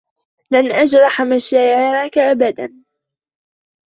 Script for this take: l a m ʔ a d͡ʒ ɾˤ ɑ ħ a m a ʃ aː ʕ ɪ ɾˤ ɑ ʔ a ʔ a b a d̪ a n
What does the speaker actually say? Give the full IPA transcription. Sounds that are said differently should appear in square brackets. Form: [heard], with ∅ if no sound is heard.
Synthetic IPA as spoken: l a [n] ʔ a d͡ʒ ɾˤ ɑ ħ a m a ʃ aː ʕ ɪ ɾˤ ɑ [k] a ʔ a b a d̪ a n